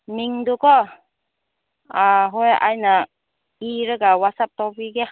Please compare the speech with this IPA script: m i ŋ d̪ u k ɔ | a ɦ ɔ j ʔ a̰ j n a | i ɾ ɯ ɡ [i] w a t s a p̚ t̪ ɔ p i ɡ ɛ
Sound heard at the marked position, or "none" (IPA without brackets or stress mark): a